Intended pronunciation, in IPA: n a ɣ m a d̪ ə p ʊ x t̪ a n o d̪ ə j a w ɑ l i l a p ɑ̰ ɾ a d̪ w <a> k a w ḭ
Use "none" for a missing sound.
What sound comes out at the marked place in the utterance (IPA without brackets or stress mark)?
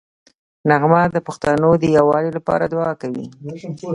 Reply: ɑ